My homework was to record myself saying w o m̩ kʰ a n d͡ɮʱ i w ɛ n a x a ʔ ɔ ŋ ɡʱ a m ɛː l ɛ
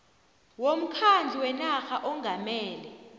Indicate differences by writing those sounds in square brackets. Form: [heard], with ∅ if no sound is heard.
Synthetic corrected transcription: w o m̩ kʰ a n d͡ɮʱ i w ɛ n a x a ʔ ɔ ŋ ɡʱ a m ɛː l ɛ